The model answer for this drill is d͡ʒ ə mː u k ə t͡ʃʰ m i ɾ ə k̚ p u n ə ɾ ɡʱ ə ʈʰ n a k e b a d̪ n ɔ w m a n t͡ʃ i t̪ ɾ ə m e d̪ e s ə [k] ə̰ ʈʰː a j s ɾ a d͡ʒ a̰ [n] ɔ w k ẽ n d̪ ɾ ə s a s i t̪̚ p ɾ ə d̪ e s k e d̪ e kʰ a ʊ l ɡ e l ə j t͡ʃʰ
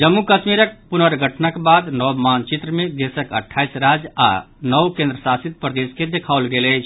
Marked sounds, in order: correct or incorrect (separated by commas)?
correct, correct